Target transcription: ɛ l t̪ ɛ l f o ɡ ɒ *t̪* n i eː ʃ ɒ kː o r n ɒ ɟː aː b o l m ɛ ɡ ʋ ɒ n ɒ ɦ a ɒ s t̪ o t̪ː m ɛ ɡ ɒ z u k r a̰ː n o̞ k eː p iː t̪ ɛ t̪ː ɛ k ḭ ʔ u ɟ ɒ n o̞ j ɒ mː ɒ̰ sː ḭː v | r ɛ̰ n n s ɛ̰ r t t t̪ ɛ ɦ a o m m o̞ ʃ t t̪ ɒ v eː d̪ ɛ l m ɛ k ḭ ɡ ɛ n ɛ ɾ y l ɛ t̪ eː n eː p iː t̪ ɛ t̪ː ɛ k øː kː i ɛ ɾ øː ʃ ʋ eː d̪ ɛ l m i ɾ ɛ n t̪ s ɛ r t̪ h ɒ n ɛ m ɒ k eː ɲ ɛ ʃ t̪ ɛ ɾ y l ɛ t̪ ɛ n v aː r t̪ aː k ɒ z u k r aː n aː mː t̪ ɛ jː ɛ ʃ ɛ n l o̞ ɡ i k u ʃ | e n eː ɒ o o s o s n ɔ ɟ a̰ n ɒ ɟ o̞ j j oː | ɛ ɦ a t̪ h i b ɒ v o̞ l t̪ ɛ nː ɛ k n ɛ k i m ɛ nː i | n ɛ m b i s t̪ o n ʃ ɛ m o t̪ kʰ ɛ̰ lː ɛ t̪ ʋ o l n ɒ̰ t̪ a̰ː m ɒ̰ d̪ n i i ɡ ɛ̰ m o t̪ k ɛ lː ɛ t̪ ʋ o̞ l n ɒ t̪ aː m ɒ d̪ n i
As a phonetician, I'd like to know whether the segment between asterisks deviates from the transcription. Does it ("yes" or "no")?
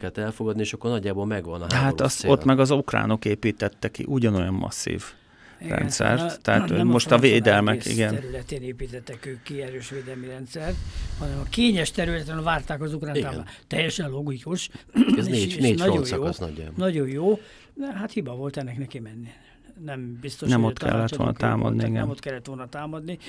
yes